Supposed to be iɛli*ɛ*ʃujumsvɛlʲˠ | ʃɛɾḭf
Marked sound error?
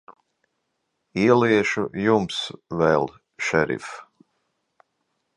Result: no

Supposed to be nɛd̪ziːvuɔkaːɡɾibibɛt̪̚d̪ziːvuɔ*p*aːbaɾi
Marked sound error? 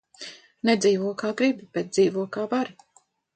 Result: yes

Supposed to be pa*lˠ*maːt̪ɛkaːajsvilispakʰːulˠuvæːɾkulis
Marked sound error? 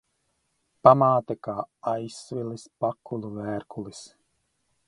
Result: yes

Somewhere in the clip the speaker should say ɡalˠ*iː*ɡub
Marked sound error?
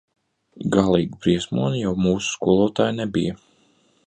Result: no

